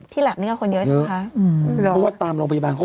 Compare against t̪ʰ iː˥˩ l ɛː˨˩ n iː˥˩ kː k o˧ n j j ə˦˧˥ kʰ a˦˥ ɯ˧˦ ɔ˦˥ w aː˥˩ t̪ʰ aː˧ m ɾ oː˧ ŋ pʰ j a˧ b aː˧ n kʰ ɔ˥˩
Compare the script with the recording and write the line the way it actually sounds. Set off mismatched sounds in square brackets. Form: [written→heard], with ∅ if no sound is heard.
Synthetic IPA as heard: t̪ʰ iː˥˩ l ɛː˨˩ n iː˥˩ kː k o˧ n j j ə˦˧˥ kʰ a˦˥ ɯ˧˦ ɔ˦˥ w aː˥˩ [t̪ʰ→t̪] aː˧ m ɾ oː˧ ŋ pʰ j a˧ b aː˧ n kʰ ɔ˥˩